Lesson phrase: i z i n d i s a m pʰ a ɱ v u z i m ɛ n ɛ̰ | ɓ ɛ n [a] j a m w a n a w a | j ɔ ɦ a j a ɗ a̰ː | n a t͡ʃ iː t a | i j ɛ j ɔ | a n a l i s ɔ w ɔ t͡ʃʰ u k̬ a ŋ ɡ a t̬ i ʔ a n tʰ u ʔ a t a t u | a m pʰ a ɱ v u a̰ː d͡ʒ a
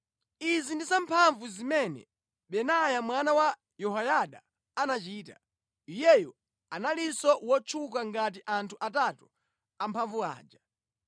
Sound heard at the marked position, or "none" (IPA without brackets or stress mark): a